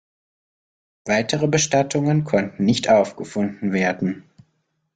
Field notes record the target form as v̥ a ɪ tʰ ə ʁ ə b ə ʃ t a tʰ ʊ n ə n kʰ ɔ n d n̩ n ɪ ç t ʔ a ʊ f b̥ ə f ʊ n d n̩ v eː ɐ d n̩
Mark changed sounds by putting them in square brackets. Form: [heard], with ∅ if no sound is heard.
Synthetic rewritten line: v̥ a ɪ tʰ ə ʁ ə b ə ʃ t a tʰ ʊ [ŋ] ə n kʰ ɔ n [t] n̩ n ɪ ç t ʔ a ʊ f [ɡ̥] ə f ʊ n d n̩ v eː ɐ d n̩